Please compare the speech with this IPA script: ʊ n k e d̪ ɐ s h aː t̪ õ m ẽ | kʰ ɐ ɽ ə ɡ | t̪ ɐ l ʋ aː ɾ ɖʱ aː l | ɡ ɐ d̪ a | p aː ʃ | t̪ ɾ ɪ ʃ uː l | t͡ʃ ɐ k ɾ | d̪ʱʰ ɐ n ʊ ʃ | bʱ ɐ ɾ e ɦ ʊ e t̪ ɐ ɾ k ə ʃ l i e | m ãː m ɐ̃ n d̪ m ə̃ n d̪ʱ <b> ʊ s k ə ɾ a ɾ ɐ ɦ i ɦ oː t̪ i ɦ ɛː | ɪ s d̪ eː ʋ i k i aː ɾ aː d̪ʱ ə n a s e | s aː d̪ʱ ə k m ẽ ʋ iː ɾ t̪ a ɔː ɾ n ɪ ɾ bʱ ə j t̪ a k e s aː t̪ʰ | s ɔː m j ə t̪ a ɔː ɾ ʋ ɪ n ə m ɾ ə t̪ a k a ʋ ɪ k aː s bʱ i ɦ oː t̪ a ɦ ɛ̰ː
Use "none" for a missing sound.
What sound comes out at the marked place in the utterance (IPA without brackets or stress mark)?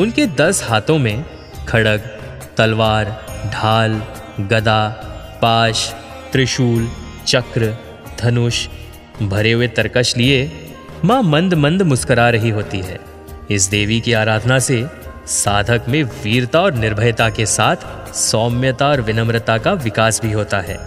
m